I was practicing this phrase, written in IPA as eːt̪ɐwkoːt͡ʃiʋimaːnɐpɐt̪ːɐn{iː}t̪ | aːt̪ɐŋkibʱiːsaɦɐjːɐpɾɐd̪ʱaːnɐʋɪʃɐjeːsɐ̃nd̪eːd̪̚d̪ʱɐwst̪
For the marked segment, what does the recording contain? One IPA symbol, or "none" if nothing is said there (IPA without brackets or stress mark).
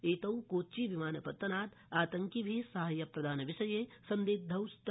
aː